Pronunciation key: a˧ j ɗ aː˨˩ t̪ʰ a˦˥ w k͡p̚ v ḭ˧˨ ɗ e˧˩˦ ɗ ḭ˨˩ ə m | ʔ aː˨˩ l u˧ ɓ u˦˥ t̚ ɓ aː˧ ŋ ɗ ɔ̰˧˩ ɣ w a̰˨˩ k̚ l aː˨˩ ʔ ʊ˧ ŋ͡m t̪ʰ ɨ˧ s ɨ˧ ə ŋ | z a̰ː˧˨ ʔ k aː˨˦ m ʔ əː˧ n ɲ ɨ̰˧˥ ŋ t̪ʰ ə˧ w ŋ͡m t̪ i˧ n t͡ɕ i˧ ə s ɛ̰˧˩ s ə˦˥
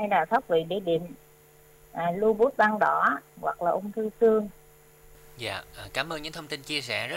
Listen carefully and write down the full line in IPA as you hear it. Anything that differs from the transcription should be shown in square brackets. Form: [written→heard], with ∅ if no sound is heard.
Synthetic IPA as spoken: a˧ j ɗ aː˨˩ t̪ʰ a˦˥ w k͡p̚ v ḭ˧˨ ɗ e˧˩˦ ɗ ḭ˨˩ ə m | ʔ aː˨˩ l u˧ ɓ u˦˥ t̚ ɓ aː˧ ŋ ɗ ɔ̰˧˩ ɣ w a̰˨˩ k̚ l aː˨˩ ʔ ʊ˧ ŋ͡m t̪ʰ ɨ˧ s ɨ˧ ə ŋ | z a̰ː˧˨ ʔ k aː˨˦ m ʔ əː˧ n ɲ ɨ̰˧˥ ŋ t̪ʰ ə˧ w ŋ͡m t̪ i˧ n t͡ɕ i˧ ə s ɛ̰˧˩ [s→z] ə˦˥